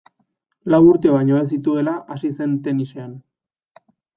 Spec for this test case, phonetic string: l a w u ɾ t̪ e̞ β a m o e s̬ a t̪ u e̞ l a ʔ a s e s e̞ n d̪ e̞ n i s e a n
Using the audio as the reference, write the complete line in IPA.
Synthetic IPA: l a w u ɾ t̪ e̞ β a ɲ o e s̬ i t̪ u e̞ l a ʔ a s i s e̞ n t̪ e̞ n i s e a n